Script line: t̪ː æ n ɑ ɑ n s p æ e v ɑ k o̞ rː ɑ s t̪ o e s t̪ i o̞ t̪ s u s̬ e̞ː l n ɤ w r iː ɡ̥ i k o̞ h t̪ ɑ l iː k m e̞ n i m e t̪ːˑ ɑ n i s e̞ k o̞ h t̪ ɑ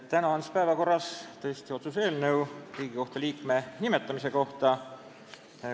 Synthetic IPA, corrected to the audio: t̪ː æ n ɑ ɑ n s p æ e v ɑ k o̞ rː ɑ s t̪ ɤ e s t̪ i o̞ t̪ s u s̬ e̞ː l n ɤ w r iː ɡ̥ i k o̞ h t̪ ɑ l iː k m e̞ n i m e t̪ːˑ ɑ m i s e̞ k o̞ h t̪ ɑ